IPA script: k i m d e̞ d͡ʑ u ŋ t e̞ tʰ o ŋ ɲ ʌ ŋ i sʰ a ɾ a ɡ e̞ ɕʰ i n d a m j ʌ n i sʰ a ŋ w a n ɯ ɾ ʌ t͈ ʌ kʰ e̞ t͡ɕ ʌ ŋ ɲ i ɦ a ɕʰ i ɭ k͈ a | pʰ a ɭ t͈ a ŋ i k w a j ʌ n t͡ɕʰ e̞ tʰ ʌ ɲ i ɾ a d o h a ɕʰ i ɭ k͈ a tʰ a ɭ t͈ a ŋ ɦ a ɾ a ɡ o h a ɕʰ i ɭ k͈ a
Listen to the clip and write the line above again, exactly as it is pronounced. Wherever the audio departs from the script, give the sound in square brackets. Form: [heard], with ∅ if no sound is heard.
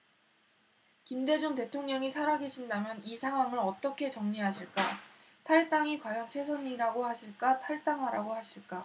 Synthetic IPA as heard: k i m d e̞ d͡ʑ u ŋ t e̞ tʰ o ŋ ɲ ʌ ŋ i sʰ a ɾ a ɡ e̞ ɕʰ i n d a m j ʌ n i sʰ a ŋ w a [m] ɯ ɾ ʌ t͈ ʌ kʰ e̞ t͡ɕ ʌ ŋ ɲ i ɦ a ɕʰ i ɭ k͈ a | [tʰ] a ɭ t͈ a ŋ i k w a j ʌ n t͡ɕʰ e̞ [sʰ] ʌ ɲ i ɾ a [ɡ] o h a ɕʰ i ɭ k͈ a tʰ a ɭ t͈ a ŋ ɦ a ɾ a ɡ o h a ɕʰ i ɭ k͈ a